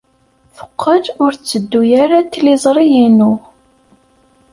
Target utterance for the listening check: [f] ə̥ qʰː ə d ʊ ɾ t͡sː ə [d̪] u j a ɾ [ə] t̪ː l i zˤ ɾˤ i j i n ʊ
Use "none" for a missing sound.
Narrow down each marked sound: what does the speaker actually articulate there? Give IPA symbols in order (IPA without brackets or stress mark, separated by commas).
f, d̪ː, a